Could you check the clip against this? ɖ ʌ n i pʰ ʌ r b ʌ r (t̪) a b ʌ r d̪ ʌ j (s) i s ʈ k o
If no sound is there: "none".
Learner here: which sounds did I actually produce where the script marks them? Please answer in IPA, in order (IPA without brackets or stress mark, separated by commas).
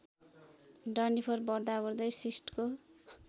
d̪, s